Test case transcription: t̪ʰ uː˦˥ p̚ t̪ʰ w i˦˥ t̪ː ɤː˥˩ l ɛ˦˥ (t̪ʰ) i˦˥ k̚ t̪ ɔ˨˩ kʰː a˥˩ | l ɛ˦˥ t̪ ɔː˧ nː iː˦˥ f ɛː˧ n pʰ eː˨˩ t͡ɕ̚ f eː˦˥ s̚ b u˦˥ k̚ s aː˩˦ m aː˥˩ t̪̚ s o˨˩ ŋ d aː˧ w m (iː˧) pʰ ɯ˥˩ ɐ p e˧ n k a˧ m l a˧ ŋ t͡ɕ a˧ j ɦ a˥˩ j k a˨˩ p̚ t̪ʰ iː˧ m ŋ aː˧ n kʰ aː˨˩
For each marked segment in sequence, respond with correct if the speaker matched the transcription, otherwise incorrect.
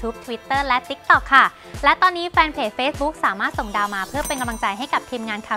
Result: incorrect, incorrect

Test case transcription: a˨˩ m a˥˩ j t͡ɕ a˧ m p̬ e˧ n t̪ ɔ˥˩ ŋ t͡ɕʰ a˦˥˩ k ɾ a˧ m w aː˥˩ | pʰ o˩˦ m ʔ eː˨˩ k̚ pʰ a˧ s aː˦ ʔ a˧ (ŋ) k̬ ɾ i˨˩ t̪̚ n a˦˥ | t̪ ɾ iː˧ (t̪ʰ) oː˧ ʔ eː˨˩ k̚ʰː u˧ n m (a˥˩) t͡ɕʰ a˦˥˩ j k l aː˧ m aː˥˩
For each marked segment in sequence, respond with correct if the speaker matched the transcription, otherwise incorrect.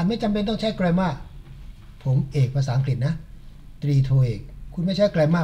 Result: correct, correct, correct

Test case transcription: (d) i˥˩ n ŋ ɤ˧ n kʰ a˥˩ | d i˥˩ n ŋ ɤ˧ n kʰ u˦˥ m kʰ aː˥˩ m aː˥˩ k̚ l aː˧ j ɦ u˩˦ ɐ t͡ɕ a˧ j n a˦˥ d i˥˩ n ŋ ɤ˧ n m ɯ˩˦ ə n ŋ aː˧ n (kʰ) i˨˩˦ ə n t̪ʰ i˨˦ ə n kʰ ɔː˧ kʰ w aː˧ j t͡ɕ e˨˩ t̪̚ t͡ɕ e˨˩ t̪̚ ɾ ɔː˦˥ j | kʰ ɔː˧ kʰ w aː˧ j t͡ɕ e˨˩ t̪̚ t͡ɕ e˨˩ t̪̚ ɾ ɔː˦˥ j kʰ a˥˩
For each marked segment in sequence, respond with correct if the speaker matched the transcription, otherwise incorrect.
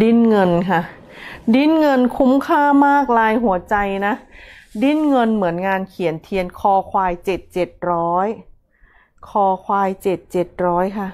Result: correct, correct

